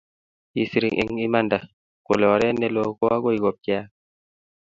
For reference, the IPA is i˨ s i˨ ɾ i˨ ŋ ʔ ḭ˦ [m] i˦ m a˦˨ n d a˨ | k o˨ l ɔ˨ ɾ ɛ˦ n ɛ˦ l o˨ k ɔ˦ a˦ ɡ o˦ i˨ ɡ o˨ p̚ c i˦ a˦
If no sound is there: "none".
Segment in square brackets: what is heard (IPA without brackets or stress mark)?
ŋ